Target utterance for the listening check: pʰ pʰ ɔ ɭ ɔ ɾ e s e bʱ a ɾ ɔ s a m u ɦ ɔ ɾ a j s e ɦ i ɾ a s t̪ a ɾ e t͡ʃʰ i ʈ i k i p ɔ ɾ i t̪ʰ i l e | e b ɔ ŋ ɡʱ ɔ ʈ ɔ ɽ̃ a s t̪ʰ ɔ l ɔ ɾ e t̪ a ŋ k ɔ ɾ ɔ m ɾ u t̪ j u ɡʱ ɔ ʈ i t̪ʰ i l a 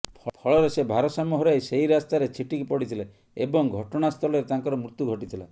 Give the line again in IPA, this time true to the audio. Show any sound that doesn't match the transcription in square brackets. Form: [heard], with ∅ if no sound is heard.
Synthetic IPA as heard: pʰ pʰ ɔ ɭ ɔ ɾ e s e bʱ a ɾ ɔ s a m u ɦ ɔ ɾ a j s e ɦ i ɾ a s t̪ a ɾ e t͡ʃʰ i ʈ i k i p ɔ [ɽ] i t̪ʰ i l e | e b ɔ ŋ ɡʱ ɔ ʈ ɔ ɽ̃ a s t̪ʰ ɔ l ɔ ɾ e t̪ a ŋ k ɔ ɾ ɔ m ɾ u t̪ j u ɡʱ ɔ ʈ i t̪ʰ i l a